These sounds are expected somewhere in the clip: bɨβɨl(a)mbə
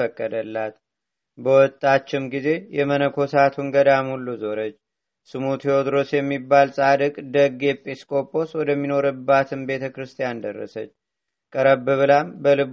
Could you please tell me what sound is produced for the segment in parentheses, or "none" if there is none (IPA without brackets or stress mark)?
a